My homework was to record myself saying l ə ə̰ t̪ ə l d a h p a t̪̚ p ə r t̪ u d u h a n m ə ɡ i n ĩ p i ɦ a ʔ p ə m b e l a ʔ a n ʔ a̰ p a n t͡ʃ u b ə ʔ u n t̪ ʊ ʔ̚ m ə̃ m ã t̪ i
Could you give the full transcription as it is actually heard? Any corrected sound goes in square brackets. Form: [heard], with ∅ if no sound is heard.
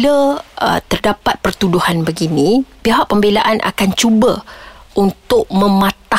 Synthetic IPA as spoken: l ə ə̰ t̪ ə [r] d a [∅] p a t̪̚ p ə r t̪ u d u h a n [b] ə ɡ i n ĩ p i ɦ a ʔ p ə m b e l a ʔ a n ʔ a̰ [k] a n t͡ʃ u b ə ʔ u n t̪ ʊ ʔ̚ m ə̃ m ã t̪ [a]